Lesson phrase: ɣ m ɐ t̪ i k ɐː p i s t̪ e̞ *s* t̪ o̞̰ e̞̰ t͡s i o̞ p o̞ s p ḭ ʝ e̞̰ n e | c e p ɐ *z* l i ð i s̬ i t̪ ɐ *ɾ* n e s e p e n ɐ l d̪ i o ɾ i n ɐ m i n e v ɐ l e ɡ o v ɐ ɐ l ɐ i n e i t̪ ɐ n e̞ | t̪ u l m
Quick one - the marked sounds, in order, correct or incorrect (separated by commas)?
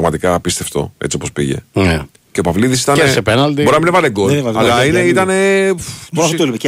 incorrect, incorrect, incorrect